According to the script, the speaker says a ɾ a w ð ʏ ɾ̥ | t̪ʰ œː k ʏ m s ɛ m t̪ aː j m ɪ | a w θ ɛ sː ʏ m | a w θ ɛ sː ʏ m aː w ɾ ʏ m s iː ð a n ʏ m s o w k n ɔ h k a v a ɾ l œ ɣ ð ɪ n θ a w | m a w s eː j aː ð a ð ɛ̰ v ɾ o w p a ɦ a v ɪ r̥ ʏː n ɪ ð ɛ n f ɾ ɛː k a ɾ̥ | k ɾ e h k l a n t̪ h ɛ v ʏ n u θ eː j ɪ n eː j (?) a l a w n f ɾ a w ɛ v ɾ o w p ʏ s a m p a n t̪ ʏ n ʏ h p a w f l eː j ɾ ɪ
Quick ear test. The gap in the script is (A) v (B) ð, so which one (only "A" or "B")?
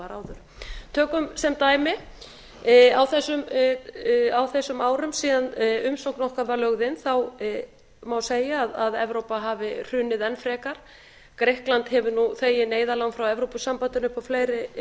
B